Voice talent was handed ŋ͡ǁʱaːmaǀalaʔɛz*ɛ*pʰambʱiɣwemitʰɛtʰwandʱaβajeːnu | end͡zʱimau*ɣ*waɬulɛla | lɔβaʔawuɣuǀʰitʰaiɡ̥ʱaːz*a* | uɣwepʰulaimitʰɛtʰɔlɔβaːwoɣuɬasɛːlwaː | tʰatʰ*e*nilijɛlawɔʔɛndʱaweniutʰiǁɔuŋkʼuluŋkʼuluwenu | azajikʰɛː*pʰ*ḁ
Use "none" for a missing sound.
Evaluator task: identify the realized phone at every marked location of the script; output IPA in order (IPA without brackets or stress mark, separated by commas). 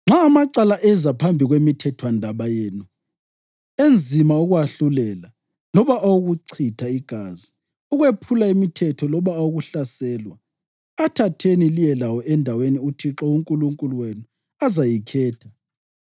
a, ɣ, i, e, tʰ